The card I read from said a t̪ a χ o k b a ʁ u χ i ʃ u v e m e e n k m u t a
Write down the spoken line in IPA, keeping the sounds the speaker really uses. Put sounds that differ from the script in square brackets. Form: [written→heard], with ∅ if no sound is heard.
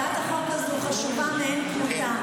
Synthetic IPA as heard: a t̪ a χ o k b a [ʁ→z] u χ [i→a] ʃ u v [e→a] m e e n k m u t a